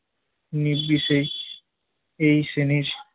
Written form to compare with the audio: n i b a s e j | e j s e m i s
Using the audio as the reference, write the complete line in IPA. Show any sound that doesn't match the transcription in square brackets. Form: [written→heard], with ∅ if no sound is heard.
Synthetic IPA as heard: n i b [a→i] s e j | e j s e [m→n] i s